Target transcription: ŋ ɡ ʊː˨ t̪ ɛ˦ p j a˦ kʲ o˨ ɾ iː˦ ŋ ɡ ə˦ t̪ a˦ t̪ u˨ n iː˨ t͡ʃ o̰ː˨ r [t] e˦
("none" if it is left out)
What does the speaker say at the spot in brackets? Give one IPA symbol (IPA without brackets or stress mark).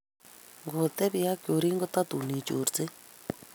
t͡s